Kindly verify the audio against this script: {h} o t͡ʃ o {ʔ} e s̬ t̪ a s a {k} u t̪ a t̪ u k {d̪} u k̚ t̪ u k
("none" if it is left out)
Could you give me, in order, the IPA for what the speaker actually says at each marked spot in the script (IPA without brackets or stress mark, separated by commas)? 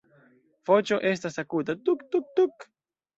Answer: f, ʔ, k, t̪